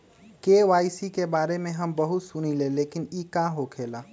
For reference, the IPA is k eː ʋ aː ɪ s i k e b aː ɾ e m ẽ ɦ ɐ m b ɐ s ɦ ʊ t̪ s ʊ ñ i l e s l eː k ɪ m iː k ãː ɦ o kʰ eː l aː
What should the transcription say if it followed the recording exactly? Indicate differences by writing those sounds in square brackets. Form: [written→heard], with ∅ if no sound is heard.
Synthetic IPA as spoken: k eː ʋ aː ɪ s i k e b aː ɾ e m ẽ ɦ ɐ m b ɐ [s→∅] ɦ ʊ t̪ s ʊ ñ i l e [s→∅] l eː k ɪ [m→n] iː k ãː ɦ o kʰ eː l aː